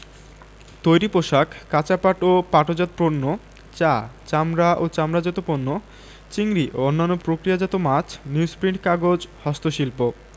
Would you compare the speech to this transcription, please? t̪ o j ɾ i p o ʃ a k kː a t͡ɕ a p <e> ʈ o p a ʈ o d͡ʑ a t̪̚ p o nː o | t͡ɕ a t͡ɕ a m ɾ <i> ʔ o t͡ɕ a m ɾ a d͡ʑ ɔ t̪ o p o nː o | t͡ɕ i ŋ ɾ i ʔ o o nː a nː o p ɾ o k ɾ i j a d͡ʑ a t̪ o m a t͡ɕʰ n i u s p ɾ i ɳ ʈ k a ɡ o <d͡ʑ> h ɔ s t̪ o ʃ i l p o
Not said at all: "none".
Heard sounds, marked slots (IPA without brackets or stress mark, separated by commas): a, a, d͡ʑ